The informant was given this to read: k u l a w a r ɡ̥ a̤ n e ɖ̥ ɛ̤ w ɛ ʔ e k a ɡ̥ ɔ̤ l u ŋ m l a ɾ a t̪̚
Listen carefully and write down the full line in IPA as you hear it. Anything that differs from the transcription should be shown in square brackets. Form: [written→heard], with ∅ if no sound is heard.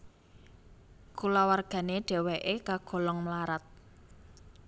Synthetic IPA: k u l a w a r ɡ̥ a̤ n e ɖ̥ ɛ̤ w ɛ ʔ e k a ɡ̥ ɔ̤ l [u→ɔ] ŋ m l a ɾ a t̪̚